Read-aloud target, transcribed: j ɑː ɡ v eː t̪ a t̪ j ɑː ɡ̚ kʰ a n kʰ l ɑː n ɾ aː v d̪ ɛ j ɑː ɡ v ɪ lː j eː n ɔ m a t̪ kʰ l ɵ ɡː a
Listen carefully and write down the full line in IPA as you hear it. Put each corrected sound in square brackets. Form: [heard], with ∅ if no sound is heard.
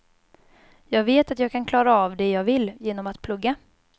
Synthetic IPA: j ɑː ɡ v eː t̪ a t̪ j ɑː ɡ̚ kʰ a n kʰ l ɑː [∅] ɾ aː v d̪ ɛ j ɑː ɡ v ɪ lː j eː n ɔ m a t̪ [pʰ] l ɵ ɡː a